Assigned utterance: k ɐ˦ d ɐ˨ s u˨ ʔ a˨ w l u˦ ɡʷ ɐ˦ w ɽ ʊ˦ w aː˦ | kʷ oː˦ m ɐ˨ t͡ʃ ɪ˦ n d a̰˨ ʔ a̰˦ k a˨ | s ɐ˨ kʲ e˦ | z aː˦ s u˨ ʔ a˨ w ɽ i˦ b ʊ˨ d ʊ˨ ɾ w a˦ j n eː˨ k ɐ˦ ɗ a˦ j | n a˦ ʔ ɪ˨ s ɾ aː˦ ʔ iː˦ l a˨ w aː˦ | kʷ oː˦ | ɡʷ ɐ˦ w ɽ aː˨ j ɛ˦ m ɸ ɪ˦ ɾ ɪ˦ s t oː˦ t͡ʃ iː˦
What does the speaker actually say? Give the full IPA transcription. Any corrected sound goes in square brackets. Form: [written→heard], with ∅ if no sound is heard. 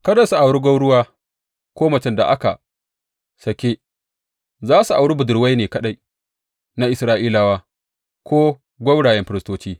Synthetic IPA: k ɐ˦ d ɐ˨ s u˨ ʔ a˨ w [l→ɽ] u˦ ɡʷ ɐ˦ w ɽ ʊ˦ w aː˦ | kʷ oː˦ m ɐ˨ t͡ʃ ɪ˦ n d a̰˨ ʔ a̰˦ k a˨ | s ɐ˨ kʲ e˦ | z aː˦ s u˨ ʔ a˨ w ɽ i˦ b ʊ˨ d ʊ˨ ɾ w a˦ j n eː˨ k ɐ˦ ɗ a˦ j | n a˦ ʔ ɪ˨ s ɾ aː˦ ʔ iː˦ l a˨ w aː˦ | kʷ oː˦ | ɡʷ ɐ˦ w ɽ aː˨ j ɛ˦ m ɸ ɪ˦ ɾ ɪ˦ s t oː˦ t͡ʃ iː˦